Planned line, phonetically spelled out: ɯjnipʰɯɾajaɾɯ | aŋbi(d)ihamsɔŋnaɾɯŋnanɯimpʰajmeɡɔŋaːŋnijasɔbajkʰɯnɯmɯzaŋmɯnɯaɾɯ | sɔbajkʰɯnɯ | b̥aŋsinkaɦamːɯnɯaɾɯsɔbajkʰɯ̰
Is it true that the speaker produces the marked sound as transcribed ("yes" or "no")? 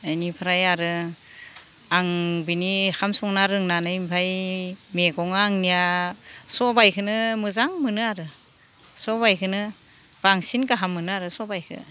no